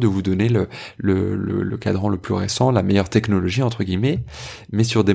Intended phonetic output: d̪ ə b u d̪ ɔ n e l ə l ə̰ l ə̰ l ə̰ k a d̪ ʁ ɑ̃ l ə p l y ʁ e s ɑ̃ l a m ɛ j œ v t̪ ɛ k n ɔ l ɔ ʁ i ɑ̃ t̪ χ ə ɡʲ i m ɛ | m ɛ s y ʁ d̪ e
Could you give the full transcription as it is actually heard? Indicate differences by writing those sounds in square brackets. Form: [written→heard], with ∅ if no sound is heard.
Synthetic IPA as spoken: d̪ ə [b→v] u d̪ ɔ n e l ə l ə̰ l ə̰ l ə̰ k a d̪ ʁ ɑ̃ l ə p l y ʁ e s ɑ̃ l a m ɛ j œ [v→ʁ] t̪ ɛ k n ɔ l ɔ [ʁ→ʒ] i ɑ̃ t̪ χ ə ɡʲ i m ɛ | m ɛ s y ʁ d̪ e